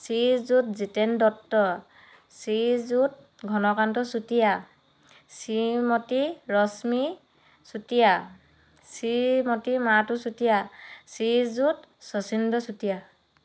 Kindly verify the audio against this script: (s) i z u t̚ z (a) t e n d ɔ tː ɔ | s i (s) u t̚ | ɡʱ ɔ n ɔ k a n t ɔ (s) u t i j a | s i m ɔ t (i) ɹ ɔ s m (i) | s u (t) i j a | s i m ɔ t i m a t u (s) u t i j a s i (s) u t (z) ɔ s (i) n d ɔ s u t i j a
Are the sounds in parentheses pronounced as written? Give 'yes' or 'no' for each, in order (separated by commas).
yes, no, no, yes, yes, yes, yes, yes, no, no, yes